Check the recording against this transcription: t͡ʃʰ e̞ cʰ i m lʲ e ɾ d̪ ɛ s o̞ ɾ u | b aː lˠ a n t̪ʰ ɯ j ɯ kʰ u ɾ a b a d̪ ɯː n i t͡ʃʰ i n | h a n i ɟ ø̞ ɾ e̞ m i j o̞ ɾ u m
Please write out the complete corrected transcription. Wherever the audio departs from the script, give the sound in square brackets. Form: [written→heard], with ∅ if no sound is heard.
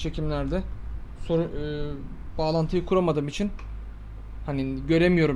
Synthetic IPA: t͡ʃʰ e̞ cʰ i m lʲ [e→æ] ɾ d̪ ɛ s o̞ ɾ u | b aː lˠ a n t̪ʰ ɯ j ɯ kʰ u ɾ a [b→m] a d̪ ɯː [n→m] i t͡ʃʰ i n | h a n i ɟ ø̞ ɾ e̞ m i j o̞ ɾ u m